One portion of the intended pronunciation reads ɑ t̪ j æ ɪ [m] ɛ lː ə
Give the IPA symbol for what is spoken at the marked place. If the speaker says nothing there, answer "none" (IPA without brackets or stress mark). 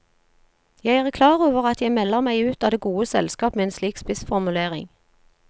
m